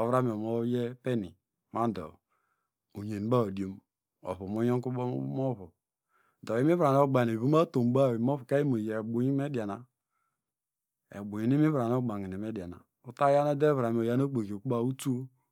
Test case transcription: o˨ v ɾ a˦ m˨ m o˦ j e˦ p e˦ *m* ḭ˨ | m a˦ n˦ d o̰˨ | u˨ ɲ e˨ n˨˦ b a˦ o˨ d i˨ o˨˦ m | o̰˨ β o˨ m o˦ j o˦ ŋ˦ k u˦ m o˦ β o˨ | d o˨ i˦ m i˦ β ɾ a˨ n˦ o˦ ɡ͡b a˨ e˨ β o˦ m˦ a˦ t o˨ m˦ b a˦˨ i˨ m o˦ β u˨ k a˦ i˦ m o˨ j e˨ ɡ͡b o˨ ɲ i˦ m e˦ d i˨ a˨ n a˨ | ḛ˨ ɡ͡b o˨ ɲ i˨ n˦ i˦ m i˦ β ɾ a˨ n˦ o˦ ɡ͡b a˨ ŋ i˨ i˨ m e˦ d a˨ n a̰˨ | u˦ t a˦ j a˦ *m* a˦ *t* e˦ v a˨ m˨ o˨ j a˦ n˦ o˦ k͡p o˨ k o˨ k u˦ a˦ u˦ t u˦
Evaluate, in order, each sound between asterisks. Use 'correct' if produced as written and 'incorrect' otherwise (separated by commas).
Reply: incorrect, incorrect, incorrect